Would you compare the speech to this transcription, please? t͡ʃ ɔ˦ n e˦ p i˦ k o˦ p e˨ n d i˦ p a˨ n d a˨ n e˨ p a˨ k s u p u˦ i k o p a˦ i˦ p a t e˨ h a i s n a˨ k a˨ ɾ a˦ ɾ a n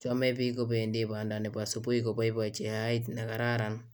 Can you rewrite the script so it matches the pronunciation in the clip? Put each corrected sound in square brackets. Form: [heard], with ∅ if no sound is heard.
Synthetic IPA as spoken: t͡ʃ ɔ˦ [m] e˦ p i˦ k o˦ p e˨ n d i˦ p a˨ n d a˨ n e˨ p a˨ [∅] s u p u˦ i k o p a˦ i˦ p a [t͡ʃ] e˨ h a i [t] n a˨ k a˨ ɾ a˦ ɾ a n